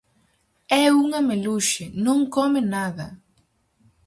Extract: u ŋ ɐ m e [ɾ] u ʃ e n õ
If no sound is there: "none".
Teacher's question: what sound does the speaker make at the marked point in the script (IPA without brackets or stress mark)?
l